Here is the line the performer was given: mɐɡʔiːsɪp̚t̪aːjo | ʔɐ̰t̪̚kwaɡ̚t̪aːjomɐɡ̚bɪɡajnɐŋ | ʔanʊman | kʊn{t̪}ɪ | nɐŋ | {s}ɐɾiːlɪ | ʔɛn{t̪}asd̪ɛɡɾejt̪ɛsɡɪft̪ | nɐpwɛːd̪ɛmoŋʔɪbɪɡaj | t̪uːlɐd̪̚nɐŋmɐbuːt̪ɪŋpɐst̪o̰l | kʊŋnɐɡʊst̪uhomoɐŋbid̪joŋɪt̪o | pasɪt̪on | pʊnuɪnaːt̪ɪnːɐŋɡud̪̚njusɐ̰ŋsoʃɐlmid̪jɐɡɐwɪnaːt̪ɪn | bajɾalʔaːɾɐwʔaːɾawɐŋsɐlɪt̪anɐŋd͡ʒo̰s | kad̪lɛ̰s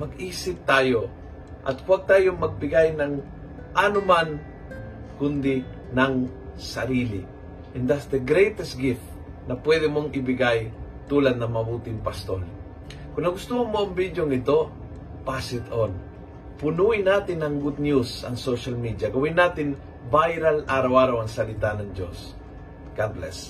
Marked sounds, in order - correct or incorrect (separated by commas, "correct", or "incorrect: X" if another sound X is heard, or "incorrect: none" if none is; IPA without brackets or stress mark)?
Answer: incorrect: d̪, correct, incorrect: d̪